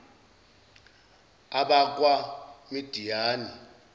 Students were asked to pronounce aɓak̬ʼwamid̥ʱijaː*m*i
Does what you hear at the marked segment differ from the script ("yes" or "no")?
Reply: yes